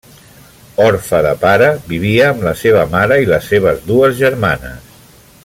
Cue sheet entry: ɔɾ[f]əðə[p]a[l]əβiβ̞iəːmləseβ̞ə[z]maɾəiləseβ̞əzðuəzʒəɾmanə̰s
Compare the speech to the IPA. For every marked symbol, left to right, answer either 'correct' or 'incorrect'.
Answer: correct, correct, incorrect, incorrect

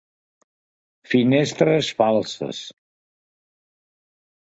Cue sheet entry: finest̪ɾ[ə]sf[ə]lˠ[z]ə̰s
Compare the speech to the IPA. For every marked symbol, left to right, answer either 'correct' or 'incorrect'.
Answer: correct, incorrect, incorrect

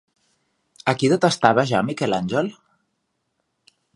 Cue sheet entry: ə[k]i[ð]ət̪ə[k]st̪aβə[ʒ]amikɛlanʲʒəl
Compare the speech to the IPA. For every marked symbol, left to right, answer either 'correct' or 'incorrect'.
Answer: correct, correct, incorrect, correct

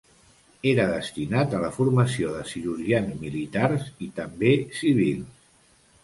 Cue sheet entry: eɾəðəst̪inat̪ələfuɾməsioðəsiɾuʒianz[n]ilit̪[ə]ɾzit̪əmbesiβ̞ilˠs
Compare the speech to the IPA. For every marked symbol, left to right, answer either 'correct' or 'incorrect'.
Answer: incorrect, incorrect

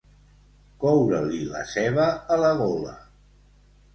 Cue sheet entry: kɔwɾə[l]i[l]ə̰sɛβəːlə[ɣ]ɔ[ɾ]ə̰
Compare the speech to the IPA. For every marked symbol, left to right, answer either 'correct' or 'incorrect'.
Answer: correct, correct, correct, incorrect

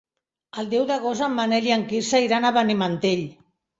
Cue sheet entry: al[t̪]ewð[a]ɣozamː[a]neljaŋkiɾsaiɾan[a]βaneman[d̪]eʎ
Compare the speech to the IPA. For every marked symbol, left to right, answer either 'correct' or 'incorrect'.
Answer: incorrect, correct, correct, correct, incorrect

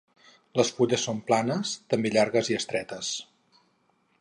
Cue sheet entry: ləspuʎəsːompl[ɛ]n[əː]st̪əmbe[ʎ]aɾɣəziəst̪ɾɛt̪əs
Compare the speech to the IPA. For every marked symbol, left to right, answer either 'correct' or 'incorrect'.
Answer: incorrect, incorrect, correct

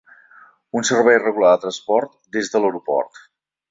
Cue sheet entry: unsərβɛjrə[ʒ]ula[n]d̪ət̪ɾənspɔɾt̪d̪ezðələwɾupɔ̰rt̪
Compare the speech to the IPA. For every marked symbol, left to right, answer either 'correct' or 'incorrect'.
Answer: incorrect, incorrect

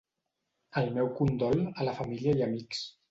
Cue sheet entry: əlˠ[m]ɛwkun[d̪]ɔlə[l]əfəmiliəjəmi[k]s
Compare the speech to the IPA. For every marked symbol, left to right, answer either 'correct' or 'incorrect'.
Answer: correct, correct, correct, correct

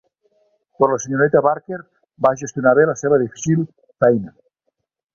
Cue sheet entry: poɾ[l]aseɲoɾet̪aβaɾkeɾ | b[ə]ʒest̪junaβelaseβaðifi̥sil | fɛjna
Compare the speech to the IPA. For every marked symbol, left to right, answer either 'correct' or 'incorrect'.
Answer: correct, incorrect

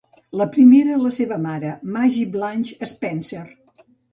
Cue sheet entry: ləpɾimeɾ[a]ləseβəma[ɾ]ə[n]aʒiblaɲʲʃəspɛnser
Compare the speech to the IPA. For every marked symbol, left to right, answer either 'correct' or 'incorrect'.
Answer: incorrect, correct, incorrect

